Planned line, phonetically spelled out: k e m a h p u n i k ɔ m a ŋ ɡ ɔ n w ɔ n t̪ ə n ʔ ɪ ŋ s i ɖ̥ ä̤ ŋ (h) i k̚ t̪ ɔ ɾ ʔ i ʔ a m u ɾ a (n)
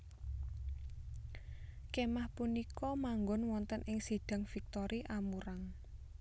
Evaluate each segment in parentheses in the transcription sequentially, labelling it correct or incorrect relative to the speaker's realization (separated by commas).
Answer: incorrect, incorrect